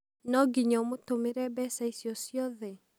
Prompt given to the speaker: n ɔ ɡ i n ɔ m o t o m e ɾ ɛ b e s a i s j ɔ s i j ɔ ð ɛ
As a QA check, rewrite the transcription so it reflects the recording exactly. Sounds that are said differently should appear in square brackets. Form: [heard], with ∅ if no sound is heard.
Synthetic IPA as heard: n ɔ ɡ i [ɲ] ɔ m o t o m e ɾ ɛ b [ɛ] s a i s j ɔ s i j ɔ ð ɛ